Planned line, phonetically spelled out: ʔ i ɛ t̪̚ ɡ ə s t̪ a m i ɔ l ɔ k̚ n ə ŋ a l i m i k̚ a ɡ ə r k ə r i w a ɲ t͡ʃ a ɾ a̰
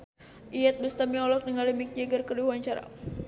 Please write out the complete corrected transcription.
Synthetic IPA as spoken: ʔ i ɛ t̪̚ b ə s t̪ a m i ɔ l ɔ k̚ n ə ŋ a l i m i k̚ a ɡ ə r k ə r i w a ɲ t͡ʃ a ɾ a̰